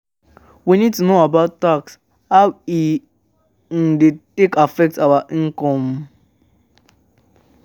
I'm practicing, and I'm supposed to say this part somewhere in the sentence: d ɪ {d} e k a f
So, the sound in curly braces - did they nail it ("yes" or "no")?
no